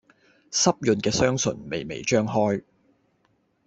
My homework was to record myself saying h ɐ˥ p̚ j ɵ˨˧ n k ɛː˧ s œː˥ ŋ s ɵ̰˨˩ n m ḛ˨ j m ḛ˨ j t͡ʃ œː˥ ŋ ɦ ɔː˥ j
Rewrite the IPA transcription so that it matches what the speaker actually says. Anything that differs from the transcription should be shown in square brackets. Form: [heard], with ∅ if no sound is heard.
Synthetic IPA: [s] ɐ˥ p̚ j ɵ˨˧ n k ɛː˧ s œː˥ ŋ s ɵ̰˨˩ n m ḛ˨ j m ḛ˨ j t͡ʃ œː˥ ŋ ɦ ɔː˥ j